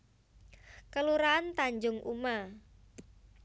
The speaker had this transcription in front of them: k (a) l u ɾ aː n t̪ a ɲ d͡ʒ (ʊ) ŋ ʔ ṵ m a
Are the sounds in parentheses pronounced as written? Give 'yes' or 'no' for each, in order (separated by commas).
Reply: no, yes